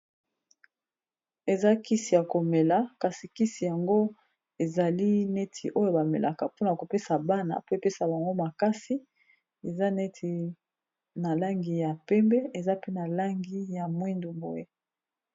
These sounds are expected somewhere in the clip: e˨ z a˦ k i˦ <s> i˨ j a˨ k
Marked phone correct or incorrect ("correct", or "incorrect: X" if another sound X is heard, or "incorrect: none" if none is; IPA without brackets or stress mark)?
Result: correct